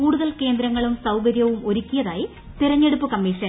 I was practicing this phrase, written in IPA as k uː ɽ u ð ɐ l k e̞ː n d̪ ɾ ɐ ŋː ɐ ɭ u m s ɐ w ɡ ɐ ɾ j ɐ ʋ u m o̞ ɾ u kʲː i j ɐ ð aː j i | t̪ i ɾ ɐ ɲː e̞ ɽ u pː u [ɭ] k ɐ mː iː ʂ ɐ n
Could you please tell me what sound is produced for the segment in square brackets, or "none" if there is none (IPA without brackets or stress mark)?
none